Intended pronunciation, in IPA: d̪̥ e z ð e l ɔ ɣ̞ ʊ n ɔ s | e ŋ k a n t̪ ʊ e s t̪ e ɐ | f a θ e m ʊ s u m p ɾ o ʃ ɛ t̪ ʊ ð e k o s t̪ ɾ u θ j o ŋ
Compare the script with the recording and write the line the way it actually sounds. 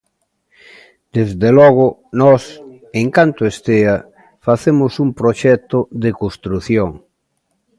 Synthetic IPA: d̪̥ e z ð e l ɔ ɣ̞ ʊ n ɔ s | e ŋ k a n t̪ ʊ e s t̪ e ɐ | f a θ e m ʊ s u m p ɾ o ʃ ɛ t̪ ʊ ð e k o s t̪ ɾ u θ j o ŋ